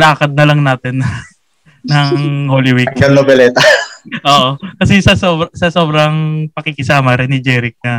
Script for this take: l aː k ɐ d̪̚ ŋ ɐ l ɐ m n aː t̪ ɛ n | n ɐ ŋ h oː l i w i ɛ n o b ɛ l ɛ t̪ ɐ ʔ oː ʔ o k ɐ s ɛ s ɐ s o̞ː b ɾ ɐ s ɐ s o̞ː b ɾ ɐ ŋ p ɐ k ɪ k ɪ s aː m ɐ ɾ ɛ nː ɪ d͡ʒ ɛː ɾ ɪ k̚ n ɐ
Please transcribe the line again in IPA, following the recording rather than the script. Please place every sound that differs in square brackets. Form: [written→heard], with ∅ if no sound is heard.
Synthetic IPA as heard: l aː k ɐ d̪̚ [ŋ→n] ɐ l ɐ [m→ŋ] n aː t̪ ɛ n | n ɐ ŋ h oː l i w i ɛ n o b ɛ l ɛ t̪ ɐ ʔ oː ʔ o k ɐ s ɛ s ɐ s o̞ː b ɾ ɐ s ɐ s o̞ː b ɾ ɐ ŋ p ɐ k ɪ k ɪ s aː m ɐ ɾ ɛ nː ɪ d͡ʒ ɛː ɾ ɪ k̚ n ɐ